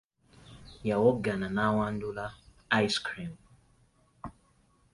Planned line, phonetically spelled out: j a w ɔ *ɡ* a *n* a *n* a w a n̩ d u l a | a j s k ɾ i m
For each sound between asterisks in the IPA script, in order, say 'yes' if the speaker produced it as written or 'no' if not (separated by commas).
yes, yes, yes